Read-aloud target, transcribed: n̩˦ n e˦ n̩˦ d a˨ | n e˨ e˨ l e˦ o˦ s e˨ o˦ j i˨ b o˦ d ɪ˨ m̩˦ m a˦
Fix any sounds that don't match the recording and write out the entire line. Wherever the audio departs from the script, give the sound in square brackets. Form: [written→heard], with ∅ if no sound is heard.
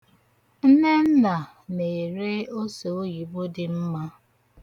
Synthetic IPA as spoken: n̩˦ n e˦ n̩˦ [d→n] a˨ | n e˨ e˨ [l→ɾ] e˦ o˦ s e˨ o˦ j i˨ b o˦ d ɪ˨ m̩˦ m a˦